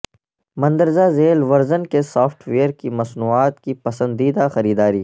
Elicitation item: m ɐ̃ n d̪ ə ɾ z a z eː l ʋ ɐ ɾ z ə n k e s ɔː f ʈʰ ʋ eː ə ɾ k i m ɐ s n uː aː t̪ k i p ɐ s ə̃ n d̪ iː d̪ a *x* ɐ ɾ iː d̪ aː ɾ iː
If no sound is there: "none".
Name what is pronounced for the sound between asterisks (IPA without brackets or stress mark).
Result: x